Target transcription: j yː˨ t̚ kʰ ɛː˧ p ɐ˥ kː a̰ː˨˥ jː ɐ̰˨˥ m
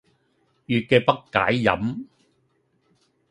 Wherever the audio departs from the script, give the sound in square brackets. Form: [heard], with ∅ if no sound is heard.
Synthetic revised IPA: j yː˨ t̚ [k] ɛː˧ p ɐ˥ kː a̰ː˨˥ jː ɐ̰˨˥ m